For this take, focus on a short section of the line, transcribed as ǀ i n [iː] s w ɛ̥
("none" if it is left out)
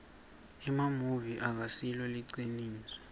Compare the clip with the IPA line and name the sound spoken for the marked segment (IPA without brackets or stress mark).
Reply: iː